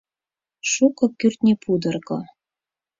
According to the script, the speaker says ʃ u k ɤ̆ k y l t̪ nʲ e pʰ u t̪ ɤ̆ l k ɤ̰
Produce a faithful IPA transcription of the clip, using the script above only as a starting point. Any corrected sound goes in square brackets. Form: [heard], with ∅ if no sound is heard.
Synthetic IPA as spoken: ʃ u k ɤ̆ k y [r] t̪ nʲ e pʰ u [d̪] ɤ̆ [r] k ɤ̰